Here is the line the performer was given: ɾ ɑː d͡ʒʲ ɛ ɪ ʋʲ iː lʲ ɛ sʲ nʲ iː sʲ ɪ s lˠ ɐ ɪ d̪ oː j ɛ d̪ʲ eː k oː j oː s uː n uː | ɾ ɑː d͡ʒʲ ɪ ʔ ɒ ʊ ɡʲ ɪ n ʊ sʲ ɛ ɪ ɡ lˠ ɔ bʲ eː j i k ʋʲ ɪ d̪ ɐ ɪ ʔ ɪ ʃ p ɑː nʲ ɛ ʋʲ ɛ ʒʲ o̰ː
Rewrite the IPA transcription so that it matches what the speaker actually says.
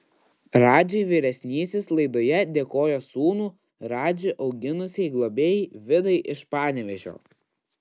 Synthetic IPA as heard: ɾ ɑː d͡ʒʲ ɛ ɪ ʋʲ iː ɾʲ ɛ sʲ nʲ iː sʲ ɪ s lˠ ɐ ɪ d̪ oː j ɛ d̪ʲ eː k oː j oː s uː n uː | ɾ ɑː d͡ʒʲ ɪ ʔ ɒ ʊ ɡʲ ɪ n ʊ sʲ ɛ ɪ ɡ lˠ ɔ bʲ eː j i ʋʲ ɪ d̪ ɐ ɪ ʔ ɪ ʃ p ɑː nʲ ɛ ʋʲ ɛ ʒʲ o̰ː

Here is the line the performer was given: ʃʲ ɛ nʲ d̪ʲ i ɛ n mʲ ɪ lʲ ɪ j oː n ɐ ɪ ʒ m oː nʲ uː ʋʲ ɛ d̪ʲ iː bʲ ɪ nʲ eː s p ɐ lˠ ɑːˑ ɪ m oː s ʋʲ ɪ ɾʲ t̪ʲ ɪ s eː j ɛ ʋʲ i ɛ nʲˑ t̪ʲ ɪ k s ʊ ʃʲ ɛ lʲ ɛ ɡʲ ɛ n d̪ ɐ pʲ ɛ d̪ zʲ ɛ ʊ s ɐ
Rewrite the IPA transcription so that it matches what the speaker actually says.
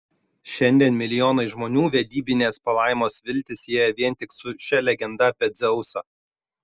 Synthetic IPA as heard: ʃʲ ɛ nʲ d̪ʲ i ɛ n mʲ ɪ lʲ ɪ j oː n ɐ ɪ ʒ m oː nʲ uː ʋʲ ɛ d̪ʲ iː bʲ ɪ nʲ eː s p ɐ lˠ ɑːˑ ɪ m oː s ʋʲ ɪ lʲ t̪ʲ ɪ s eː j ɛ ʋʲ i ɛ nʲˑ t̪ʲ ɪ k s ʊ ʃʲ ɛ lʲ ɛ ɡʲ ɛ n d̪ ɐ pʲ ɛ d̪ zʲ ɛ ʊ s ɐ

